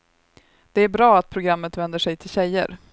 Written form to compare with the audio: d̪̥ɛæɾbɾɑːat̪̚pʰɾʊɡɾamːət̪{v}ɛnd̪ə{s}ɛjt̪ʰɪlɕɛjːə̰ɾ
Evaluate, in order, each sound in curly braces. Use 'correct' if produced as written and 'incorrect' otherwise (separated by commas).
correct, incorrect